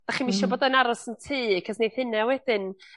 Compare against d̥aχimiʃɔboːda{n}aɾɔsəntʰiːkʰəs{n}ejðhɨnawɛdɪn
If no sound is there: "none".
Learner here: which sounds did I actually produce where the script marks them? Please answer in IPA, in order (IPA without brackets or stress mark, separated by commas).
n, n